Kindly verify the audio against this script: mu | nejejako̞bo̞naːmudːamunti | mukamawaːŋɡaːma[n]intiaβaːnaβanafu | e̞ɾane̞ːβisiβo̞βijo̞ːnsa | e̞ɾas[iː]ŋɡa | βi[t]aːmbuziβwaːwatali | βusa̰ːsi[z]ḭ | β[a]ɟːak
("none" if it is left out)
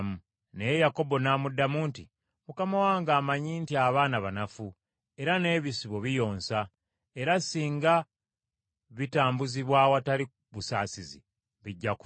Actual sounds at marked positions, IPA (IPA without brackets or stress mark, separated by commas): ɲ, iː, t, z, i